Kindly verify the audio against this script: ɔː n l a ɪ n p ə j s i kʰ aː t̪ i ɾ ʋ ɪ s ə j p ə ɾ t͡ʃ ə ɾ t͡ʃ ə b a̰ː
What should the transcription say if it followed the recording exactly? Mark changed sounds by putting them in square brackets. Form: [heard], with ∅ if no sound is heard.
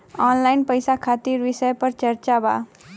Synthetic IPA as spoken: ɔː n l a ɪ n p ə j s [a] kʰ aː t̪ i ɾ ʋ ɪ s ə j p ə ɾ t͡ʃ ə ɾ t͡ʃ [a] b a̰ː